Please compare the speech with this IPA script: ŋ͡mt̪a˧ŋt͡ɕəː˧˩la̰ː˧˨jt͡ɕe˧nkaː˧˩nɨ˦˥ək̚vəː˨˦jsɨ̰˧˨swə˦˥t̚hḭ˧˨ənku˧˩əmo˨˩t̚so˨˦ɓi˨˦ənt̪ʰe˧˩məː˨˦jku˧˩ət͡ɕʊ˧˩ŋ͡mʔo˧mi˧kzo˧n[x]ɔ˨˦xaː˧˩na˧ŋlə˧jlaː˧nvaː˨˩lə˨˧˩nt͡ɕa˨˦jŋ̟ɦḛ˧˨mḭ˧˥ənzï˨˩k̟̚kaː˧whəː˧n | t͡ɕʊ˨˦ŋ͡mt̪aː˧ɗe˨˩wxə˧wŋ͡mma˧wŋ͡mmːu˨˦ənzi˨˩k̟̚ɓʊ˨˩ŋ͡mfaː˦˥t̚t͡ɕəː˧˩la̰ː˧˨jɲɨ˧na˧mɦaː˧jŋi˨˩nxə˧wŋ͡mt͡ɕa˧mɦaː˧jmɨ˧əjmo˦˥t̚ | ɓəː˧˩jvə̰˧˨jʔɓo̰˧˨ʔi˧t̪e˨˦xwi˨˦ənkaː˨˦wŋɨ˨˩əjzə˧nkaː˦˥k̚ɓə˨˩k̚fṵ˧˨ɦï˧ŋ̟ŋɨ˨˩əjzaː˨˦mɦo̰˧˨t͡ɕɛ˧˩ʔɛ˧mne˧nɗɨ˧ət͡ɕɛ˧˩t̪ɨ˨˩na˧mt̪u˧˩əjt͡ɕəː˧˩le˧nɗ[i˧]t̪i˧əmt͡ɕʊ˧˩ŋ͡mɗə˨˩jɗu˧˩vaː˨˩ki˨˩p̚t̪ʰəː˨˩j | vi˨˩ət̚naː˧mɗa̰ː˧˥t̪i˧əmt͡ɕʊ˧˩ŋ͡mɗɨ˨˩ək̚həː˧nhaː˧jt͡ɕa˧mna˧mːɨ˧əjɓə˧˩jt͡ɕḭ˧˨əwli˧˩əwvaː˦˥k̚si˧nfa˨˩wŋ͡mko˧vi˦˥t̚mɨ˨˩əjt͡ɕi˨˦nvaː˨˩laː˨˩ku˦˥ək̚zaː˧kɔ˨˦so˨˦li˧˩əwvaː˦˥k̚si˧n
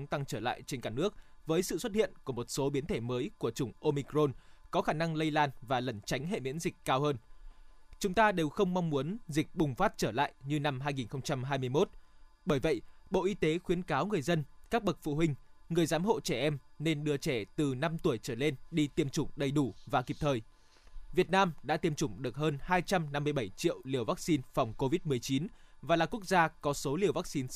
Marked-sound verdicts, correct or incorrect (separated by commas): incorrect, correct